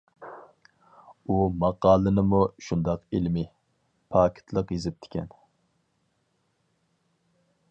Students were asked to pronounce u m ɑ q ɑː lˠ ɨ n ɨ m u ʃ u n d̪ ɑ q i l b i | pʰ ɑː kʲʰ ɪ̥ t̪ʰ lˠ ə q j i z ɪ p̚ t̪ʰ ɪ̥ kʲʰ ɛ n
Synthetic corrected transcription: u m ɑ q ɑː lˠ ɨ n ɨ m u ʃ u n d̪ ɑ q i l m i | pʰ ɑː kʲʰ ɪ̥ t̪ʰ lˠ ə q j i z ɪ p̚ t̪ʰ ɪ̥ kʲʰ ɛ n

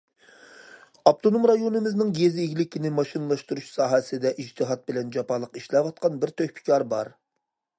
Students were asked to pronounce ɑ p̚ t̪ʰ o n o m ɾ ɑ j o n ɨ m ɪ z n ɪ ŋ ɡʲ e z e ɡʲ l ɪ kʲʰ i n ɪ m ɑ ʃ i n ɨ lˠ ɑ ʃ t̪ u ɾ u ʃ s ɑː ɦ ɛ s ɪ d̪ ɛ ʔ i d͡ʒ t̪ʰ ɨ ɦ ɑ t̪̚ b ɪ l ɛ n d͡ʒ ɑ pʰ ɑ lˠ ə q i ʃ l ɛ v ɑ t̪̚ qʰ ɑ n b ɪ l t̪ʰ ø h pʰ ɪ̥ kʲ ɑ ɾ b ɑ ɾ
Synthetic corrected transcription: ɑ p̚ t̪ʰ o n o m ɾ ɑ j o n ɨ m ɪ z n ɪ ŋ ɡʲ e z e ɡʲ l ɪ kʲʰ i n ɪ m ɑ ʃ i n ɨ lˠ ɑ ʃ t̪ u ɾ u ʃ s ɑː ɦ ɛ s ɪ d̪ ɛ ʔ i d͡ʒ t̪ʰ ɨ ɦ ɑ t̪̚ b ɪ l ɛ n d͡ʒ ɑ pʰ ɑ lˠ ə q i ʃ l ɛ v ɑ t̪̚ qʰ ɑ n b ɪ ɾ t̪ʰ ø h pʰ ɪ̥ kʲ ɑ ɾ b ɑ ɾ

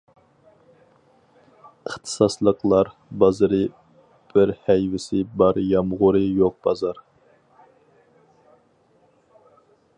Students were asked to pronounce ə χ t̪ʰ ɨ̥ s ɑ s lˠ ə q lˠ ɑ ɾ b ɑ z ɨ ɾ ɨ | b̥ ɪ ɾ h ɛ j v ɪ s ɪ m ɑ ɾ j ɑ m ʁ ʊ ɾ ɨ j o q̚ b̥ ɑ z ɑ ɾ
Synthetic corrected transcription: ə χ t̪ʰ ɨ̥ s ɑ s lˠ ə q lˠ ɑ ɾ b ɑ z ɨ ɾ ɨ | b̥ ɪ ɾ h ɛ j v ɪ s ɪ b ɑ ɾ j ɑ m ʁ ʊ ɾ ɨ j o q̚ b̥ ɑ z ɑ ɾ

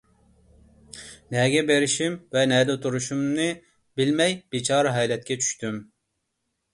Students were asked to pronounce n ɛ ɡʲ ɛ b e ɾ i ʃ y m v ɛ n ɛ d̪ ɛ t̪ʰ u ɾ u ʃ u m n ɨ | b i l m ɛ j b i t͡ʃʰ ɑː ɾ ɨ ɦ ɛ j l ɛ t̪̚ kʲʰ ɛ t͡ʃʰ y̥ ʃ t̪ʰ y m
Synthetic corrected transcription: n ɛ ɡʲ ɛ b e ɾ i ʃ i m v ɛ n ɛ d̪ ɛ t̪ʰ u ɾ u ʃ u m n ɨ | b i l m ɛ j b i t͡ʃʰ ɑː ɾ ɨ ɦ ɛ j l ɛ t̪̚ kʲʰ ɛ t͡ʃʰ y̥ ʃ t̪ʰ y m

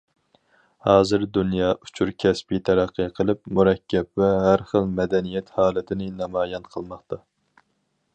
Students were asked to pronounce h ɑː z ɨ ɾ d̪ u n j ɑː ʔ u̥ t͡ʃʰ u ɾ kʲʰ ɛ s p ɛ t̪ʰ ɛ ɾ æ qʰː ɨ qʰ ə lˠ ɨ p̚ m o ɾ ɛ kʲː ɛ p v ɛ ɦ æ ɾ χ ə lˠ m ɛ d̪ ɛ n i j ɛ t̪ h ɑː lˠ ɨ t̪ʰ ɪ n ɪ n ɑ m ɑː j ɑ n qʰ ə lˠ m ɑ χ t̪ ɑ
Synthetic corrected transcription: h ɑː z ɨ ɾ d̪ u n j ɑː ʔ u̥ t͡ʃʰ u ɾ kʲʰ ɛ s p i t̪ʰ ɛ ɾ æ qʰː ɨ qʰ ə lˠ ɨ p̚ m u ɾ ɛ kʲː ɛ p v ɛ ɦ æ ɾ χ ə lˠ m ɛ d̪ ɛ n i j ɛ t̪ h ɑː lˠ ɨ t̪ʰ ɪ n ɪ n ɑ m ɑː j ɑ n qʰ ə lˠ m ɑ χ t̪ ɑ

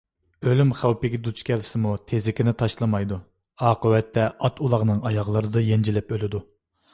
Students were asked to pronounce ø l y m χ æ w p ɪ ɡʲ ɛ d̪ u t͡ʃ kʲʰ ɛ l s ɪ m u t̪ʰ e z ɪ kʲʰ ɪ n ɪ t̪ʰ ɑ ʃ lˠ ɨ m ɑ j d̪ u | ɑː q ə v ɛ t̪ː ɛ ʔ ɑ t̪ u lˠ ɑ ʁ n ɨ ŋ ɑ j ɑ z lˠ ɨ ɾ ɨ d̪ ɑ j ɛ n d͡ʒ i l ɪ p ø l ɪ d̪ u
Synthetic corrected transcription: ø l y m χ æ w p ɪ ɡʲ ɛ d̪ u t͡ʃ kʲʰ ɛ l s ɪ m u t̪ʰ e z ɪ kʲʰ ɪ n ɪ t̪ʰ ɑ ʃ lˠ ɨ m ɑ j d̪ u | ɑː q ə w ɛ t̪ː ɛ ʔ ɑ t̪ u lˠ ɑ ʁ n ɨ ŋ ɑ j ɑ ʁ lˠ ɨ ɾ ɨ d̪ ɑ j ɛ n d͡ʒ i l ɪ p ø l ɪ d̪ u

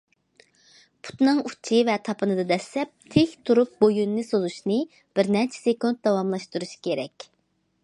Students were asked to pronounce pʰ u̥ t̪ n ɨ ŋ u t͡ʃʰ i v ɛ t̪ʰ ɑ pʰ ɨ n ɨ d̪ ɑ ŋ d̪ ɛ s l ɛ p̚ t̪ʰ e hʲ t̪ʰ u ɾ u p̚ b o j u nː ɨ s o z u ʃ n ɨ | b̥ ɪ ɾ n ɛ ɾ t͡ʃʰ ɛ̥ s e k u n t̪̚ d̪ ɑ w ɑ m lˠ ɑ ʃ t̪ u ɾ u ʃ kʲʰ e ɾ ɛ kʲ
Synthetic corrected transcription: pʰ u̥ t̪ n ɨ ŋ u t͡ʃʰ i v ɛ t̪ʰ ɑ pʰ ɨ n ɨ d̪ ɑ d̪ ɛ s l ɛ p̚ t̪ʰ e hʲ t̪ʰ u ɾ u p̚ b o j u nː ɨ s o z u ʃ n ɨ | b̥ ɪ ɾ n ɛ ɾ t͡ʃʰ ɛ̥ s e k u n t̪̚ d̪ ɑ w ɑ m lˠ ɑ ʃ t̪ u ɾ u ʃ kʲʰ e ɾ ɛ kʲ

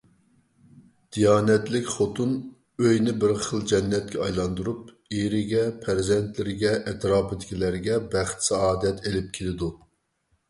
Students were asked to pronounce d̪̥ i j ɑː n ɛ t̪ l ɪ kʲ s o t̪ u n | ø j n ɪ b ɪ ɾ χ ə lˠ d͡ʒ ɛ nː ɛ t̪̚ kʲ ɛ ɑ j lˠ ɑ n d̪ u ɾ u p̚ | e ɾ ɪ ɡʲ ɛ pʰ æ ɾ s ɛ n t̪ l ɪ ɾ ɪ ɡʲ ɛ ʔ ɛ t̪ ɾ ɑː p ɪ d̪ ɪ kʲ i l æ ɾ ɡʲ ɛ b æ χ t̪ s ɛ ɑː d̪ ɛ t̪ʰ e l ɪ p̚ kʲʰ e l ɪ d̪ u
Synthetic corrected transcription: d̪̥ i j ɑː n ɛ t̪ l ɪ kʲ χ o t̪ u n | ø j n ɪ b ɪ ɾ χ ə lˠ d͡ʒ ɛ nː ɛ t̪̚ kʲ ɛ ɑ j lˠ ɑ n d̪ u ɾ u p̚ | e ɾ ɪ ɡʲ ɛ pʰ æ ɾ z ɛ n t̪ l ɪ ɾ ɪ ɡʲ ɛ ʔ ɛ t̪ ɾ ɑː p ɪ d̪ ɪ kʲ i l æ ɾ ɡʲ ɛ b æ χ t̪ s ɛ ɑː d̪ ɛ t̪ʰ e l ɪ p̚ kʲʰ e l ɪ d̪ u

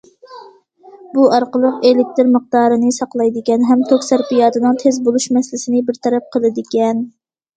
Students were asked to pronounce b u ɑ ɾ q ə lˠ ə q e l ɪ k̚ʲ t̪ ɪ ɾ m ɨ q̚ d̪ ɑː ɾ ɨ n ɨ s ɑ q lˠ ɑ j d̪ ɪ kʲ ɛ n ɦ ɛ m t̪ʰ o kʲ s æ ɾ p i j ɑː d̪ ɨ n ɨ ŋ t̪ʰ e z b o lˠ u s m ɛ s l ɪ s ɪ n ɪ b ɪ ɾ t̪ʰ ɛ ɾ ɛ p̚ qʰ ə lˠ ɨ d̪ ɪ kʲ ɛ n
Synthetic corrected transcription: b u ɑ ɾ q ə lˠ ə q e l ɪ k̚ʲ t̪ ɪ ɾ m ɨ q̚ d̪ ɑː ɾ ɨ n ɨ s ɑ q lˠ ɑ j d̪ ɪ kʲ ɛ n ɦ ɛ m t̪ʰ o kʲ s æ ɾ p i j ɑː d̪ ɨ n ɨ ŋ t̪ʰ e z b o lˠ u ʃ m ɛ s l ɪ s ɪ n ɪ b ɪ ɾ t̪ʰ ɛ ɾ ɛ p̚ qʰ ə lˠ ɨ d̪ ɪ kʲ ɛ n

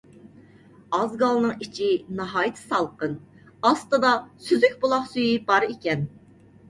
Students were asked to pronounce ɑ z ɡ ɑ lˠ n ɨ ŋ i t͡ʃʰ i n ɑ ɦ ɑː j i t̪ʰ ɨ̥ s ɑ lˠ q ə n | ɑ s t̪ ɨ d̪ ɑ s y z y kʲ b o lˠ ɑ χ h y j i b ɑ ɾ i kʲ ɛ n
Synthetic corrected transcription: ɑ z ɡ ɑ lˠ n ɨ ŋ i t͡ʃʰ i n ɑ ɦ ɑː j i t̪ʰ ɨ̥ s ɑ lˠ q ə n | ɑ s t̪ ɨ d̪ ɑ s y z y kʲ b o lˠ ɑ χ s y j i b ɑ ɾ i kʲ ɛ n

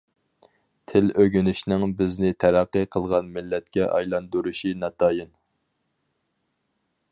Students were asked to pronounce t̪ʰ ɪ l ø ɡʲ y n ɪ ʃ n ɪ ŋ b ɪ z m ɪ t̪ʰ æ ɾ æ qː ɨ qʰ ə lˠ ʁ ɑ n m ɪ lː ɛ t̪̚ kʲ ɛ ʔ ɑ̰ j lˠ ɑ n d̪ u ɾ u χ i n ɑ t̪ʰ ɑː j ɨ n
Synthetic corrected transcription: t̪ʰ ɪ l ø ɡʲ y n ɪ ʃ n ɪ ŋ b ɪ z n ɪ t̪ʰ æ ɾ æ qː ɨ qʰ ə lˠ ʁ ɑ n m ɪ lː ɛ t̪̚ kʲ ɛ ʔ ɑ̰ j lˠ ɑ n d̪ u ɾ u ʃ i n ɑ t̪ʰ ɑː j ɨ n

